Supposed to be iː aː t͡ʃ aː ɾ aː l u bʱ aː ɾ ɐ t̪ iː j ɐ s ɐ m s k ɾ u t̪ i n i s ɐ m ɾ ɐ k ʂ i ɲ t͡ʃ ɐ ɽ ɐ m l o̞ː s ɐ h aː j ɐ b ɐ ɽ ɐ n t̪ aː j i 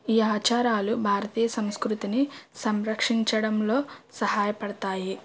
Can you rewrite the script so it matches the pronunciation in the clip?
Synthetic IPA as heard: iː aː t͡ʃ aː ɾ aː l u bʱ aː ɾ ɐ t̪ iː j ɐ s ɐ m s k ɾ u t̪ i n i s ɐ m ɾ ɐ k ʂ i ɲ t͡ʃ ɐ ɽ ɐ m l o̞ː s ɐ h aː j ɐ p ɐ ɽ ɐ t̪ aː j i